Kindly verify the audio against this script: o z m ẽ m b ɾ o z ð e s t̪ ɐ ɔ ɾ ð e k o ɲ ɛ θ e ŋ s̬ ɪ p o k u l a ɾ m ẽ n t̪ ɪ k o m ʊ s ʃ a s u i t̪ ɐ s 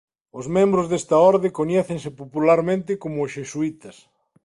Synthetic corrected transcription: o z m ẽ m b ɾ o z ð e s t̪ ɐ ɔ ɾ ð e k o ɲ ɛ θ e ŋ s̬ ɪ p o p u l a ɾ m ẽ n t̪ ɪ k o m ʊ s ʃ e s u i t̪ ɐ s